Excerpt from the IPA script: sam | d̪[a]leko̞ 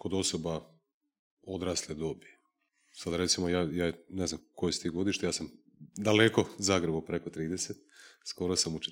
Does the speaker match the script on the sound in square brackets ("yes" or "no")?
yes